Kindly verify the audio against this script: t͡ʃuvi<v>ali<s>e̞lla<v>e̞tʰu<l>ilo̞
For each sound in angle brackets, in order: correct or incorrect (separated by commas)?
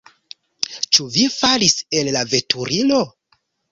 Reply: incorrect, correct, correct, incorrect